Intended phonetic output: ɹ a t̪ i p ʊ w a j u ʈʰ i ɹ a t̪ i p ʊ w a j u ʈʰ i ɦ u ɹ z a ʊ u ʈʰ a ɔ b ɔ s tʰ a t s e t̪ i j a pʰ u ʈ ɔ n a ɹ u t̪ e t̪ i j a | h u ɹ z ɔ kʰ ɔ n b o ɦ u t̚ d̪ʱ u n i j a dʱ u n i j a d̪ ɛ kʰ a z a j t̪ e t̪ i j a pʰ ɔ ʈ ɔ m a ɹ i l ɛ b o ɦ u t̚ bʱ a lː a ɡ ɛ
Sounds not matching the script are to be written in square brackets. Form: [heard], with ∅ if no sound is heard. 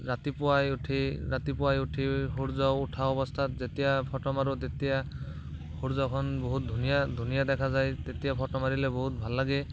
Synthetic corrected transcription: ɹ a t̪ i p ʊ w a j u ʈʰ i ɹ a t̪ i p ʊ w a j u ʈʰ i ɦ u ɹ z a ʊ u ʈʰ a ɔ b ɔ s tʰ a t [z] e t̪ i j a pʰ [ɔ] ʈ ɔ [m] a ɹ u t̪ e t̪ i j a | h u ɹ z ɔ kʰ ɔ n b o ɦ u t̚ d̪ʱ u n i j a dʱ u n i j a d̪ ɛ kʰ a z a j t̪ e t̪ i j a pʰ ɔ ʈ ɔ m a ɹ i l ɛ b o ɦ u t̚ bʱ a lː a ɡ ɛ